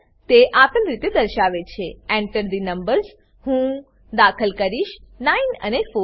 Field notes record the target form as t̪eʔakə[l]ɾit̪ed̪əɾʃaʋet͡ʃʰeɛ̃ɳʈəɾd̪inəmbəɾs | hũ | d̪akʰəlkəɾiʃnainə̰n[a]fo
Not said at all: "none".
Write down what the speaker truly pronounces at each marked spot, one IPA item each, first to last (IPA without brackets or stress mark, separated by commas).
l, e